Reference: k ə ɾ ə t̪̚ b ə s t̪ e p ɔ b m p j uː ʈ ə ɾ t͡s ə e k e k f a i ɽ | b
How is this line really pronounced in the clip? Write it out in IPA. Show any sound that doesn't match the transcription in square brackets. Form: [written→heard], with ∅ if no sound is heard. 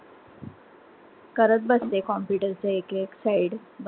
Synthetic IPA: k ə ɾ ə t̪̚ b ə s t̪ e [p→k] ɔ [b→∅] m p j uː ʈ ə ɾ t͡s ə e k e k [f→s] a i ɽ | b